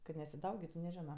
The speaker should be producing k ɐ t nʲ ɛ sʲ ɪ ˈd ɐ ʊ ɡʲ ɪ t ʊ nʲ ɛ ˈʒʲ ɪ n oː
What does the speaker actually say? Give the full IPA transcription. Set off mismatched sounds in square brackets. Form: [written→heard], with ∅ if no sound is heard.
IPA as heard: k ɐ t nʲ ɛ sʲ ɪ ˈd ɐ ʊ ɡʲ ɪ t ʊ nʲ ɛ ˈʒʲ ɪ n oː